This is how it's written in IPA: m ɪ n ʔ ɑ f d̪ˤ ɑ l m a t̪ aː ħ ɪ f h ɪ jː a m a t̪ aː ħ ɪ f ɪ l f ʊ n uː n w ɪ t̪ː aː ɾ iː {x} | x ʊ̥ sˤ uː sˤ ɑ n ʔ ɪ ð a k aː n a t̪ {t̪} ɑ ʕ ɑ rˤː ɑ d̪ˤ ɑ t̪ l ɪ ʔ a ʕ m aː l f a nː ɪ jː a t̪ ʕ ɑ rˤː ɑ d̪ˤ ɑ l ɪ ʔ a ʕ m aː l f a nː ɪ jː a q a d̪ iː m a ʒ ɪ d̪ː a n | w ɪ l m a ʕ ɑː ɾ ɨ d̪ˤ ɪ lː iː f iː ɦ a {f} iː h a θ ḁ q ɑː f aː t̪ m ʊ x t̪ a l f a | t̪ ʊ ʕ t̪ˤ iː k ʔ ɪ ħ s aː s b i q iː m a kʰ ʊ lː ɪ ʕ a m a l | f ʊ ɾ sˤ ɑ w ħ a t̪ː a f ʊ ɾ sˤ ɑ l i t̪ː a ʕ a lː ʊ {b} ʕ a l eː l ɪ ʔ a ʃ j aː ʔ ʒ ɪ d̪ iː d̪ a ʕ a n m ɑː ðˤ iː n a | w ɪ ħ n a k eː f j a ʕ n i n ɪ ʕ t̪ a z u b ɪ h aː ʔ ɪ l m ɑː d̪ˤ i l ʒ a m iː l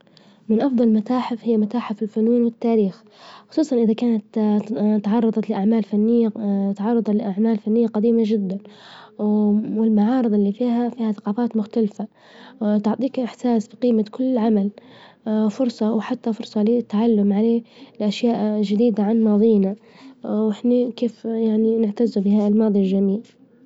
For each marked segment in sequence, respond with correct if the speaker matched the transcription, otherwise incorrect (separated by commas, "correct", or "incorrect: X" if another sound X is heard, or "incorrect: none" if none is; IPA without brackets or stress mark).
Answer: correct, correct, correct, incorrect: m